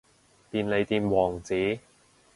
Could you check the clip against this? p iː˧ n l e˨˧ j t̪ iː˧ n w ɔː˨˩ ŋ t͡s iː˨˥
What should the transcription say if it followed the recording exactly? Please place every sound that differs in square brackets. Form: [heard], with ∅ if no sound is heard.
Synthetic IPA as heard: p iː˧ n l e˨˧ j t̪ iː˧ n w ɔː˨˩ ŋ t͡s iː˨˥

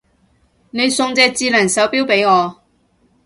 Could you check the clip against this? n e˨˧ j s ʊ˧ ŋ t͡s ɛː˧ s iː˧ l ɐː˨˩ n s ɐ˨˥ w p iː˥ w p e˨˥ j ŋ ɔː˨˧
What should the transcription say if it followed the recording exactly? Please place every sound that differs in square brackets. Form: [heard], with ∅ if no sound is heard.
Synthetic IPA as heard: n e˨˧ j s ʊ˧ ŋ t͡s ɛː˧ [t͡s] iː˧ l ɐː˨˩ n s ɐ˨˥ w p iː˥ w p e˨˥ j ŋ ɔː˨˧

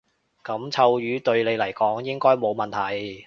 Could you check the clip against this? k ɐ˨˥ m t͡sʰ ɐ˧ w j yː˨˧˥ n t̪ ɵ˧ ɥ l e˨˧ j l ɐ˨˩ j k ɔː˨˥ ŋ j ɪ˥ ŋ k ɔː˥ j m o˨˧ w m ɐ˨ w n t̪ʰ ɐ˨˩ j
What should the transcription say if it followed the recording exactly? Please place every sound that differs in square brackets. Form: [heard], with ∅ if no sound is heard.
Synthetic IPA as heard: k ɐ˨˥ m t͡sʰ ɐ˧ w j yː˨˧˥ [∅] t̪ ɵ˧ ɥ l e˨˧ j l ɐ˨˩ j k ɔː˨˥ ŋ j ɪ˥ ŋ k ɔː˥ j m o˨˧ w m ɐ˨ [∅] n t̪ʰ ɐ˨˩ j

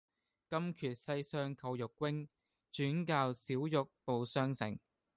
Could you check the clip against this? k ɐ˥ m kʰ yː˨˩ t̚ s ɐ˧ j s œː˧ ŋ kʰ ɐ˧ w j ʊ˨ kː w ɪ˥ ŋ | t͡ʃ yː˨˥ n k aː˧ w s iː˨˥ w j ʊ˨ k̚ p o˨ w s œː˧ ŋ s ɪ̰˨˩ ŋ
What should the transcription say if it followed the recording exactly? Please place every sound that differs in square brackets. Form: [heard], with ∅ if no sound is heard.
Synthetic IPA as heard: k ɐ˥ m kʰ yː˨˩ t̚ s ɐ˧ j s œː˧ ŋ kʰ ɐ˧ w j ʊ˨ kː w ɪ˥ ŋ | t͡ʃ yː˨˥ n k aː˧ w s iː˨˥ w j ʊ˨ k̚ p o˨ w s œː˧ ŋ s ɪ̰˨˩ ŋ

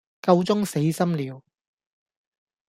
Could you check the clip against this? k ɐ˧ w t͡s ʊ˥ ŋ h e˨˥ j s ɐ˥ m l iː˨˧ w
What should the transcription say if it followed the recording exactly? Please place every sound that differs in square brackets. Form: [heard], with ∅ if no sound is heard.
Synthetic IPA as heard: k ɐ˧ w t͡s ʊ˥ ŋ [s] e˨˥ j s ɐ˥ m l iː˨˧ w

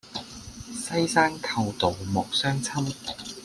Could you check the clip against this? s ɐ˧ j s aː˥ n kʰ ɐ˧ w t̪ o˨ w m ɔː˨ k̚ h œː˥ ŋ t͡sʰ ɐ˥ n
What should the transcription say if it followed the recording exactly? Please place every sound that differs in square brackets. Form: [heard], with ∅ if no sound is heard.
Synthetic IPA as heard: s [ɐ˥] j s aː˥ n kʰ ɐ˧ w t̪ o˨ w m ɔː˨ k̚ [s] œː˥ ŋ t͡sʰ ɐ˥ [m]

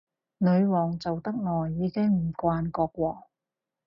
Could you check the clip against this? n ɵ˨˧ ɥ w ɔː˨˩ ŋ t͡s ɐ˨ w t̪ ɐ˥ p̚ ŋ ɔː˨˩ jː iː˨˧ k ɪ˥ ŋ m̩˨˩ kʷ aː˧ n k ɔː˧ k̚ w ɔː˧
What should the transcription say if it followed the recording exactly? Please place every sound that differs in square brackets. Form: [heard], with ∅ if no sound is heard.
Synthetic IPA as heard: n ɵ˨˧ ɥ w ɔː˨˩ ŋ t͡s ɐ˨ w t̪ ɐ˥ [k̚] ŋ ɔː˨˩ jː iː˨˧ k ɪ˥ ŋ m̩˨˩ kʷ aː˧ n k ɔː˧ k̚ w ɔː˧

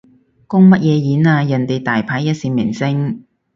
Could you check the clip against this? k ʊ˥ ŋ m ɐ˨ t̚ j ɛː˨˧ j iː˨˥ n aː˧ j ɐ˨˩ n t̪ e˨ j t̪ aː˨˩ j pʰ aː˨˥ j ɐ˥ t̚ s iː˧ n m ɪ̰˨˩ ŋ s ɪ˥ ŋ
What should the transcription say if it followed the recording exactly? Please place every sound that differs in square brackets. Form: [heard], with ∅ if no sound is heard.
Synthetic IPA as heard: k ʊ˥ ŋ m [ɐ˥] t̚ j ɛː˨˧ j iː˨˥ n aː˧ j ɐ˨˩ n t̪ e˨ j t̪ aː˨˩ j pʰ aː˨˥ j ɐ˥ t̚ s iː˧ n m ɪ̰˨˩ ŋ s ɪ˥ ŋ

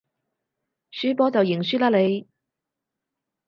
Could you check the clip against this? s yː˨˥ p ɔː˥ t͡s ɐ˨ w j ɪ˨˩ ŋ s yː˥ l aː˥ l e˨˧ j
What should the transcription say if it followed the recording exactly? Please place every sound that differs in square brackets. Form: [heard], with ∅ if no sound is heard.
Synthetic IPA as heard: s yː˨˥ p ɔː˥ t͡s ɐ˨ w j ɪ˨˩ ŋ s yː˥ l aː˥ l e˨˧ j

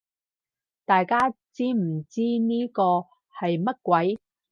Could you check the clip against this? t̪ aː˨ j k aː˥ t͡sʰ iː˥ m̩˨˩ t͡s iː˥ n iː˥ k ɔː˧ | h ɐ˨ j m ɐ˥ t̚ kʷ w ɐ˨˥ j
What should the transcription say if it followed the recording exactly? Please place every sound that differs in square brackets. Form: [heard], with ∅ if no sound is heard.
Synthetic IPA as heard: t̪ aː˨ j k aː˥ [t͡s] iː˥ m̩˨˩ t͡s iː˥ n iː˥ k ɔː˧ | h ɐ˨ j m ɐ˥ t̚ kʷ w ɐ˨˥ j

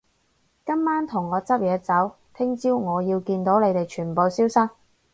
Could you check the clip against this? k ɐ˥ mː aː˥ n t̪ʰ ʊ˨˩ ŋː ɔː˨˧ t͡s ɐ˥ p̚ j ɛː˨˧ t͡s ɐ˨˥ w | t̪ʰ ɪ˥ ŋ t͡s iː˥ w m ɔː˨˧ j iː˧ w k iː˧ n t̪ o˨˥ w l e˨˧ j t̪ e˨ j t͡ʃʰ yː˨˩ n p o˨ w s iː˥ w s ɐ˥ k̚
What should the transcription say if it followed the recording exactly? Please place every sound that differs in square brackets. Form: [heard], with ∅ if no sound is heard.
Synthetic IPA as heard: k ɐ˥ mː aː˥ n t̪ʰ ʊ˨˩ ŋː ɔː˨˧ t͡s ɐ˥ p̚ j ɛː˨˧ t͡s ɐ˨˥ w | t̪ʰ ɪ˥ ŋ t͡s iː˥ w [ŋ] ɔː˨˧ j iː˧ w k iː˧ n t̪ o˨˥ w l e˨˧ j t̪ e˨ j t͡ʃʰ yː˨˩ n p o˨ w s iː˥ w s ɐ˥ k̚

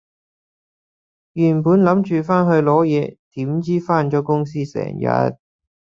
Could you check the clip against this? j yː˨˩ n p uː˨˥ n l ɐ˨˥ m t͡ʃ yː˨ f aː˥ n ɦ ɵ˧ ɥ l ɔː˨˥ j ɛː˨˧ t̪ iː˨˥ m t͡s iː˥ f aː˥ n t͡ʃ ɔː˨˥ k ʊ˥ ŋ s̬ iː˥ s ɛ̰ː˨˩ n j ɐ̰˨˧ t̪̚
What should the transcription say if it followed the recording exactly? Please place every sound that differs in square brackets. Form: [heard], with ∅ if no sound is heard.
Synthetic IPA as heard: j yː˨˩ n p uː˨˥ n l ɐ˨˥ m t͡ʃ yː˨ f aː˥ n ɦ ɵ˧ ɥ l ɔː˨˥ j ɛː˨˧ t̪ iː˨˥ m t͡s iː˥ f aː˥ n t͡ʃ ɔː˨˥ k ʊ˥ ŋ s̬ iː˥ s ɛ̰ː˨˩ [ŋ] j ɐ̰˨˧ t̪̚

